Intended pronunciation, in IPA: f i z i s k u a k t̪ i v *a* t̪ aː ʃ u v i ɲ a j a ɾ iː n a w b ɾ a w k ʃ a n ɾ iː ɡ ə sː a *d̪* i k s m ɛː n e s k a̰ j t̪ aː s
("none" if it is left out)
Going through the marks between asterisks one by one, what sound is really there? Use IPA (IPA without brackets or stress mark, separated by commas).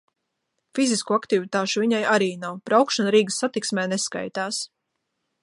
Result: i, t̪